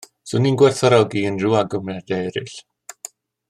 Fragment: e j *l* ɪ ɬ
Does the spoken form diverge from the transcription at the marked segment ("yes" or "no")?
yes